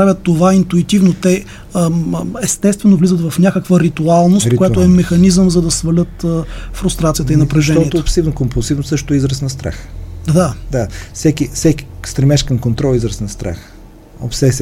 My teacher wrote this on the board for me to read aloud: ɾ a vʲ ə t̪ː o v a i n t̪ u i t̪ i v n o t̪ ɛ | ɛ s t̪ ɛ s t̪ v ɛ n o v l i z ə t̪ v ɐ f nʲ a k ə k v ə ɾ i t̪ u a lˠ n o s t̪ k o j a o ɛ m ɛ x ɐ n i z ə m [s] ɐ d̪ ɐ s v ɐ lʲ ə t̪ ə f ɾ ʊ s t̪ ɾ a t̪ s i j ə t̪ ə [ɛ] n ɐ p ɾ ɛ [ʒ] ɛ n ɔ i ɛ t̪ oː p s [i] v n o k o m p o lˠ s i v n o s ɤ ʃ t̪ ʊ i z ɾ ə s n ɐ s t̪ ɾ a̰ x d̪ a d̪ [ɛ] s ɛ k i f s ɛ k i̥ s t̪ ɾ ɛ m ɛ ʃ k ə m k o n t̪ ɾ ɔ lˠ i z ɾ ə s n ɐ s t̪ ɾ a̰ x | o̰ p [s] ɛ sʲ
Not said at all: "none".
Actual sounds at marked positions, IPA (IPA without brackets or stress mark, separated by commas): z, i, ʒ, i, a, s